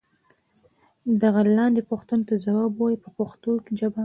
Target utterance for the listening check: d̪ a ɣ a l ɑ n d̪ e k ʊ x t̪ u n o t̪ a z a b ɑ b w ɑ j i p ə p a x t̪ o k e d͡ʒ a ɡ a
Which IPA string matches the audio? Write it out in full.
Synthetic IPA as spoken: d̪ a ɣ a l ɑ n d̪ e p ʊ x t̪ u n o t̪ a z a w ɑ b w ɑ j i p ə p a x t̪ o k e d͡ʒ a b a